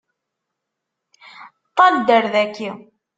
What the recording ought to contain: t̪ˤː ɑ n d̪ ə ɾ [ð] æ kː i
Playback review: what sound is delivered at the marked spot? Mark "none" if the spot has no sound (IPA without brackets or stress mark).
ð